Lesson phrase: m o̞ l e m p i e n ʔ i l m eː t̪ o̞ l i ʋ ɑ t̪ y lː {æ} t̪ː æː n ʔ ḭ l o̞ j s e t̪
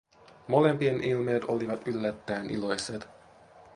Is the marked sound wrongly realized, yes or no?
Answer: no